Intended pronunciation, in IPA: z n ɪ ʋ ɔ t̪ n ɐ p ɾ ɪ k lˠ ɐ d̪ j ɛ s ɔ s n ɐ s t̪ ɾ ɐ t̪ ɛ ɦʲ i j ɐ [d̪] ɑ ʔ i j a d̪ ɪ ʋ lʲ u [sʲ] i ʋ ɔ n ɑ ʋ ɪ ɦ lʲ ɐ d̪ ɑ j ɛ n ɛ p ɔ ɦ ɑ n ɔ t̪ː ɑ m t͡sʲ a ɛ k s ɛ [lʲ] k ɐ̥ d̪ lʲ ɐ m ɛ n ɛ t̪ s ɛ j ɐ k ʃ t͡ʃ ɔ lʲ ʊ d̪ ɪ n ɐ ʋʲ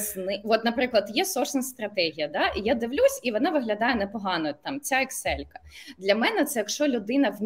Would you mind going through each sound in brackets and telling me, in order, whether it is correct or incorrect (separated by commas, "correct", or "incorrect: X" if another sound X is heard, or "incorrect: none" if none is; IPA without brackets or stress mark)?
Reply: correct, correct, correct